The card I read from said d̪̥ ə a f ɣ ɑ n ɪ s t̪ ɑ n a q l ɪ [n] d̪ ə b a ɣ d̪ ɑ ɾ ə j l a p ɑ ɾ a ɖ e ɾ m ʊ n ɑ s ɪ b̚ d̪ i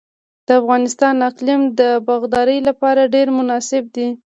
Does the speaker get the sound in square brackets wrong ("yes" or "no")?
yes